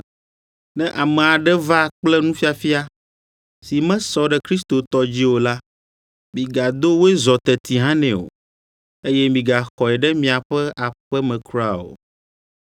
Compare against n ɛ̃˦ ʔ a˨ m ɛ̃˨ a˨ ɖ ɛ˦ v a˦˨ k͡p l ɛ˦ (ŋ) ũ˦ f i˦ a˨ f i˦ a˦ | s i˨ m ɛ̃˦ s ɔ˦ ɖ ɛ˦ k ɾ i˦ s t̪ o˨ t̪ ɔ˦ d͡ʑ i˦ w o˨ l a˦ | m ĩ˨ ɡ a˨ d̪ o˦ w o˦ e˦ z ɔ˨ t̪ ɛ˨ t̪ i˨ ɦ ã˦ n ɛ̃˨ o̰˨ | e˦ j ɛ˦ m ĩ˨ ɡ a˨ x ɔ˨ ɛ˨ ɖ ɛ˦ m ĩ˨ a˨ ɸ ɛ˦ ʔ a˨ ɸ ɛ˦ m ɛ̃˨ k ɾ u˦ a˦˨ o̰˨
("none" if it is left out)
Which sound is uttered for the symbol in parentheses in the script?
n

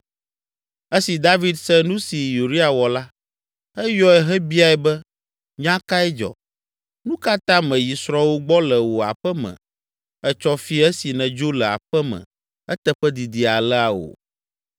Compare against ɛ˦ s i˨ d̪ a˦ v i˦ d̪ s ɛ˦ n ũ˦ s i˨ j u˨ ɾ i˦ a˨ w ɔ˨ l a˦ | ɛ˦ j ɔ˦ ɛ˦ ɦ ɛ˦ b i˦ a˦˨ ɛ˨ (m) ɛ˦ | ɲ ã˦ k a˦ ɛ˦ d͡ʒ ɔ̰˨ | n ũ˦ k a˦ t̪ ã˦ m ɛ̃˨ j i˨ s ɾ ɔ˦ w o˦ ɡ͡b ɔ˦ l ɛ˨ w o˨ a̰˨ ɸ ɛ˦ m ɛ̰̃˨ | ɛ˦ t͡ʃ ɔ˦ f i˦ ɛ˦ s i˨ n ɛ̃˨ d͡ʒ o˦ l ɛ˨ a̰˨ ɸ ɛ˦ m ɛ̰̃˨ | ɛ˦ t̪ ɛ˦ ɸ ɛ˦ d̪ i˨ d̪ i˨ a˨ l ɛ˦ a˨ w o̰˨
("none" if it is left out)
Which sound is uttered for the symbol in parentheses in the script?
b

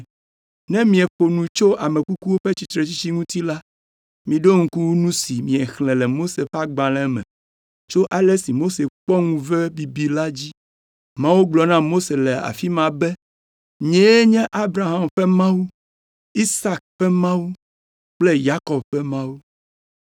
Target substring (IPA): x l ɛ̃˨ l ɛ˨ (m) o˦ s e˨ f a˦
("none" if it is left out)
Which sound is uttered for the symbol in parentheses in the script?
m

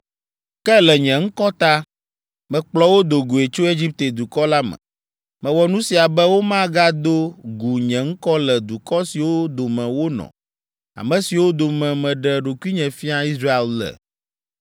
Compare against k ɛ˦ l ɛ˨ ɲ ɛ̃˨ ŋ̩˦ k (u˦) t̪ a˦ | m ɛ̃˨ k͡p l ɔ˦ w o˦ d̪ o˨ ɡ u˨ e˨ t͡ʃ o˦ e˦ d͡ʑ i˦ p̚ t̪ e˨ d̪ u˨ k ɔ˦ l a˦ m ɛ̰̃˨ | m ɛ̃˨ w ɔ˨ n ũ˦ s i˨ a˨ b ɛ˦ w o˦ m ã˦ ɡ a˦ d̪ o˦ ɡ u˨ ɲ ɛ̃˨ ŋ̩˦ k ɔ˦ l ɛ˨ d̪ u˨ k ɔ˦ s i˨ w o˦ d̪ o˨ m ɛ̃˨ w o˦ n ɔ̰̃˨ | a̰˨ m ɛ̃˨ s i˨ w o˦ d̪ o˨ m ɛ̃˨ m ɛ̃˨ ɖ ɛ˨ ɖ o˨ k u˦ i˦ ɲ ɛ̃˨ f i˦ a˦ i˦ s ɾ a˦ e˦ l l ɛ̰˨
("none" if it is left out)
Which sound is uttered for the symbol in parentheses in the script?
ɔ˦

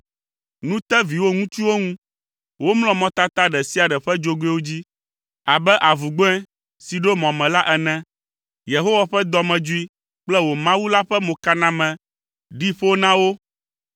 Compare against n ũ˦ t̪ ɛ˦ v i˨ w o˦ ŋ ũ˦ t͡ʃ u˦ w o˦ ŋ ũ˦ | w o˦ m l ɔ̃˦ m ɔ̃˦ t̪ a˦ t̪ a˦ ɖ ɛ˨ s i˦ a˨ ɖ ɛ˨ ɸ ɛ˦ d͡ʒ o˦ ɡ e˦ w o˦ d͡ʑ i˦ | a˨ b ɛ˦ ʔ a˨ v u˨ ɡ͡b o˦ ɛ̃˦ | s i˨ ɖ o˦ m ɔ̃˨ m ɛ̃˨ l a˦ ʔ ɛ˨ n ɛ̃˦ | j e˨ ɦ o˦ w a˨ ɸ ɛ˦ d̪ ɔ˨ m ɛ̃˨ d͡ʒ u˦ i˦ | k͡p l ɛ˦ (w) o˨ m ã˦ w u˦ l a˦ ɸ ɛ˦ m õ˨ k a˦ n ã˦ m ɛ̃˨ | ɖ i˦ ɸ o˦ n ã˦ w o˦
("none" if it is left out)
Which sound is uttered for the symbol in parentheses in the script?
w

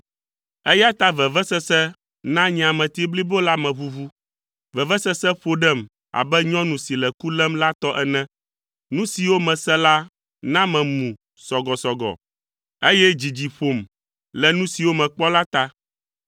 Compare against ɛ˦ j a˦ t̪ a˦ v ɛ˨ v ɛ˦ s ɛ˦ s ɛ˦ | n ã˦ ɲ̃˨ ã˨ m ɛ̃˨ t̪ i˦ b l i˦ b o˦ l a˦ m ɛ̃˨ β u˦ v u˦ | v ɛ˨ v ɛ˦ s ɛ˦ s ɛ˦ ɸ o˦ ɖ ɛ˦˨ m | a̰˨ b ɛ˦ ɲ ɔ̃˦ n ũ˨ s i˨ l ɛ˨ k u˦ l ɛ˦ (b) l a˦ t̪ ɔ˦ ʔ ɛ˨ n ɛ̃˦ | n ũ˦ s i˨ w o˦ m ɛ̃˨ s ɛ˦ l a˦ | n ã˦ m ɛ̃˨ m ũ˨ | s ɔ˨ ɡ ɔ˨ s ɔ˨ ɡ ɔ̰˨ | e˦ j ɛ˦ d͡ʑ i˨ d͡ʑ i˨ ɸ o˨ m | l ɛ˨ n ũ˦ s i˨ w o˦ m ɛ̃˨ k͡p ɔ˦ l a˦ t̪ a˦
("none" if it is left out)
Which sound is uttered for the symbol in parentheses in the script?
m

